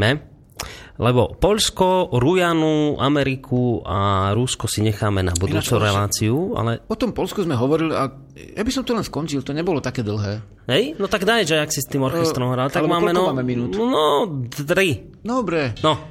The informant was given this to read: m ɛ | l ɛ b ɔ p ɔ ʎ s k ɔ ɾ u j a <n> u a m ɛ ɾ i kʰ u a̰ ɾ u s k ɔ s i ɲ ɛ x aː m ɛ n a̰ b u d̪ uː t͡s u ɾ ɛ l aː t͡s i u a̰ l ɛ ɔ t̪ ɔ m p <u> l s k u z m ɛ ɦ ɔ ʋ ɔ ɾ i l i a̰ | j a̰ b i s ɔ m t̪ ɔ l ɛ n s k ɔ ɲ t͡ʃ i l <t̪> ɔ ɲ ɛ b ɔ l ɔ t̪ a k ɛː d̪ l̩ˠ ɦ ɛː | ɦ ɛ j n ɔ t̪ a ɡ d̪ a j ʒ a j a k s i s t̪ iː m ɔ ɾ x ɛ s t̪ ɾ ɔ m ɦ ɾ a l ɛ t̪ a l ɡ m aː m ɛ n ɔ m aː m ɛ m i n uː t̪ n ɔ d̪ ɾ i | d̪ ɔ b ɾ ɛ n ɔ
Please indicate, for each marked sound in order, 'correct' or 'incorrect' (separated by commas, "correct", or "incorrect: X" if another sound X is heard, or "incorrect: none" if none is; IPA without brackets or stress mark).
correct, incorrect: ɔ, correct